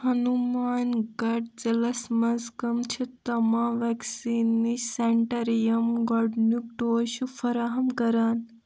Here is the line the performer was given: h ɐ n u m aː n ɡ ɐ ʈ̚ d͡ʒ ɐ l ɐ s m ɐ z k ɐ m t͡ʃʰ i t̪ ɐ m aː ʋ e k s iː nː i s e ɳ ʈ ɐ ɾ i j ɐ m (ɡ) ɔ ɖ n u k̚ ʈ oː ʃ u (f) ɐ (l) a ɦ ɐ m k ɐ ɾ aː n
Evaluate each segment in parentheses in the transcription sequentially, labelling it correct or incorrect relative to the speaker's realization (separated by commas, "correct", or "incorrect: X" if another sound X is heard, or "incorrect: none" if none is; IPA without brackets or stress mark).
correct, correct, incorrect: ɾ